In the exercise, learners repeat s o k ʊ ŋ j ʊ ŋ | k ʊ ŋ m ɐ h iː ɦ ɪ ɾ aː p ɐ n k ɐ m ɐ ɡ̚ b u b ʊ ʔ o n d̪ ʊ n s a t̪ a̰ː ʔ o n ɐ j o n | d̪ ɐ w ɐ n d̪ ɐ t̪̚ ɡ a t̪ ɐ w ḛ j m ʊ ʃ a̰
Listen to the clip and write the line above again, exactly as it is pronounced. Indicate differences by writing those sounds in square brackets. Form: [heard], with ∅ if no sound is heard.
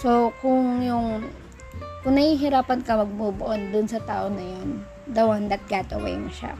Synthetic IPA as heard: s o k ʊ ŋ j ʊ ŋ | k ʊ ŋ [n] ɐ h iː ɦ ɪ ɾ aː p ɐ n k ɐ m ɐ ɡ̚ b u b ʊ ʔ o n d̪ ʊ n s [ɐ] t̪ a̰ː ʔ o n ɐ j o n | d̪ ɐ w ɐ n d̪ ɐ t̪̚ ɡ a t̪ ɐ w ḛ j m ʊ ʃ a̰